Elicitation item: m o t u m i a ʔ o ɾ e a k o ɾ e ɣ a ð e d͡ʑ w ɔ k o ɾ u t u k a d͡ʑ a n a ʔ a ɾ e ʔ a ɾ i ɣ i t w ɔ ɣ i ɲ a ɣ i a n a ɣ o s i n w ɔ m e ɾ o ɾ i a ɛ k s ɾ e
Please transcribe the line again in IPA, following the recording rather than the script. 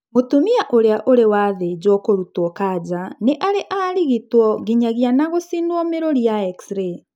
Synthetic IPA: m o t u m i a ʔ o ɾ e a ʔ o ɾ e w a ð e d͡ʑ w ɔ k o ɾ u t ɔ k a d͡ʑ a n e ʔ a ɾ e ʔ a ɾ i ɣ i t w ɔ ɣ i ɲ a ɣ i a n a ɣ o s i n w ɔ m e ɾ o ɾ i a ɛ k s ɾ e